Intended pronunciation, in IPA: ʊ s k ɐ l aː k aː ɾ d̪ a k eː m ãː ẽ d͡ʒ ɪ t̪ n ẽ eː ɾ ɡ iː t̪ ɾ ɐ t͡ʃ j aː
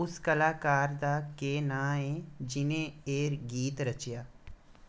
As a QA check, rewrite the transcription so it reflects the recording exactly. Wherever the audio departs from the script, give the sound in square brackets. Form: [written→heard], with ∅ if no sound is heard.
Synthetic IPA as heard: ʊ s k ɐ l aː k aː ɾ d̪ a k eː [m→n] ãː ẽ d͡ʒ ɪ [t̪→∅] n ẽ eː ɾ ɡ iː t̪ ɾ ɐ t͡ʃ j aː